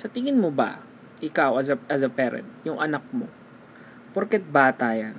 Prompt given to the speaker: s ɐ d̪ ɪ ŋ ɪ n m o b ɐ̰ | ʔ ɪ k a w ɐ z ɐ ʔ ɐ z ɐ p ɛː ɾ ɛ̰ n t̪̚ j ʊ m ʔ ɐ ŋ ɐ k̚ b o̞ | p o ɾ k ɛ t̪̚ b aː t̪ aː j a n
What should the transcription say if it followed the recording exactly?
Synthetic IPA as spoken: s ɐ t̪ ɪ ŋ ɪ n m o b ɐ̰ | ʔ ɪ k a w ɐ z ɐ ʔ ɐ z ɐ p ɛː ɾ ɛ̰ n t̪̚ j ʊ ŋ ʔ ɐ n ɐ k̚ m o̞ | p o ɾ k ɛ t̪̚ b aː t̪ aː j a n